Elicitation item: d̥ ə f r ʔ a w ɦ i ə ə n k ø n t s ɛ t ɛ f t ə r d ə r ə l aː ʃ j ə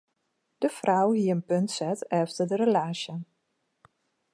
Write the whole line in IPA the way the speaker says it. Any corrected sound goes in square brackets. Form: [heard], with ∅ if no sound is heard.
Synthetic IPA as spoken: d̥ ə f r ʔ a w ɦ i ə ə n [p] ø n t s ɛ t ɛ f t ə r d ə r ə l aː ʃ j ə